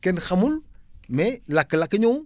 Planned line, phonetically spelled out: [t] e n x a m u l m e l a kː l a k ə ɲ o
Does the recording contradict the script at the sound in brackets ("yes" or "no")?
yes